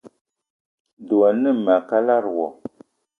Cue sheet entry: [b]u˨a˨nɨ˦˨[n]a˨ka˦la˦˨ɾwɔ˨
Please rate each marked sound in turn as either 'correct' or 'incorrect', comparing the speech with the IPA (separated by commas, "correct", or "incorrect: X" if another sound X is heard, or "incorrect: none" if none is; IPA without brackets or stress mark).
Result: incorrect: d, incorrect: m